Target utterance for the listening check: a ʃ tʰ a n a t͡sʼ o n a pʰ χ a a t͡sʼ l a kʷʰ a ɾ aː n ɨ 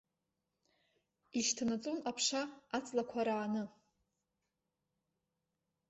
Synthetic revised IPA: i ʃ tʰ a n a t͡sʼ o n a pʰ ʂ a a t͡sʼ l a kʷʰ a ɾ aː n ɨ